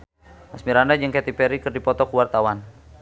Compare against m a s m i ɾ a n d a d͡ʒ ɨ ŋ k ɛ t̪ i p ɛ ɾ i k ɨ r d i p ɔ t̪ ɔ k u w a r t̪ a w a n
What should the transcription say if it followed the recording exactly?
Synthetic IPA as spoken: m a s m i ɾ a n d a d͡ʒ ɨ ŋ k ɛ t̪ i p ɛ ɾ i k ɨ r d i p ɔ t̪ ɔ k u w a r t̪ a w a n